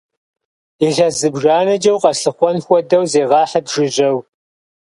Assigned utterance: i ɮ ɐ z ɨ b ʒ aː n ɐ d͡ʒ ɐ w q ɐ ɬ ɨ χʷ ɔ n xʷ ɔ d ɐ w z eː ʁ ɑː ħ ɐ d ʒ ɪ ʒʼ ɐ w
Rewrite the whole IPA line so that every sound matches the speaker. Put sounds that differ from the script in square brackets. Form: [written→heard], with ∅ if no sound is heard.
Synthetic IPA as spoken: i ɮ ɐ z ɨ b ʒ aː n ɐ d͡ʒ ɐ w q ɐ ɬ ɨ χʷ ɔ n xʷ ɔ d ɐ w z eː ʁ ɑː ħ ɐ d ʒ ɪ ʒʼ ɐ w

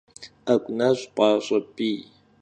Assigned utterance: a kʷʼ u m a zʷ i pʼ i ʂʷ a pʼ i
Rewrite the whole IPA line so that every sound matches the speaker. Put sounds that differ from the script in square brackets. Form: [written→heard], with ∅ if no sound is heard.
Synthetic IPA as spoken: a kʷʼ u [m→n] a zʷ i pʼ [i→a] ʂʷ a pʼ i

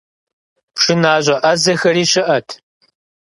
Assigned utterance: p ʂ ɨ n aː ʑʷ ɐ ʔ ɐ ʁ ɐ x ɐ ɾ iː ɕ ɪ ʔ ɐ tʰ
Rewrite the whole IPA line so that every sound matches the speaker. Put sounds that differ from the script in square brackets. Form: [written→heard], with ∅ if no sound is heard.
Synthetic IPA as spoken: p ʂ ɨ n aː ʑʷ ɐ ʔ ɐ [ʁ→z] ɐ x ɐ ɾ iː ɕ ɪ ʔ ɐ tʰ

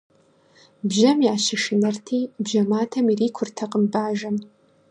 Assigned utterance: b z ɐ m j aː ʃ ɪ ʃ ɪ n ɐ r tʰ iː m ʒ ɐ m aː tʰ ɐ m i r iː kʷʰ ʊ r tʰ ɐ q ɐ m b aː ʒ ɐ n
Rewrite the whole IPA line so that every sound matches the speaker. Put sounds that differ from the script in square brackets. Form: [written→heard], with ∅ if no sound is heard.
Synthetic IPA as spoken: b [z→ʒ] ɐ m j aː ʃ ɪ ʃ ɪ n ɐ r tʰ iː [m→b] ʒ ɐ m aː tʰ ɐ m i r iː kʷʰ ʊ r tʰ ɐ q [ɐ→ə] m b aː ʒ ɐ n

